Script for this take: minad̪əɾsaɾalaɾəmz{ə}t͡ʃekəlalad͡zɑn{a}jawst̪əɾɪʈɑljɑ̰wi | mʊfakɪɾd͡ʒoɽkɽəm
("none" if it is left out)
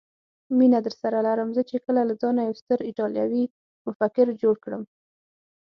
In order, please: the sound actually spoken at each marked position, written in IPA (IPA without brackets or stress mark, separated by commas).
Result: ə, a